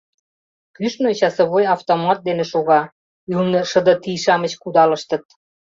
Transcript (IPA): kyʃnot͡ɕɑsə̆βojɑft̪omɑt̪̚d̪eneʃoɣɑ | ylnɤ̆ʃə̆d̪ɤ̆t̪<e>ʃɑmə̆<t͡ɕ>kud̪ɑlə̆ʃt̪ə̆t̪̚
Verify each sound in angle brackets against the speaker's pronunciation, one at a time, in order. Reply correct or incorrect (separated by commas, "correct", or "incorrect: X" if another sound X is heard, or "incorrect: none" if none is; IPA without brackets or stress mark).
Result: incorrect: i, correct